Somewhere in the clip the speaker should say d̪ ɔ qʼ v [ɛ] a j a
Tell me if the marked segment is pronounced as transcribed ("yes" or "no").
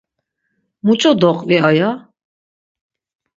no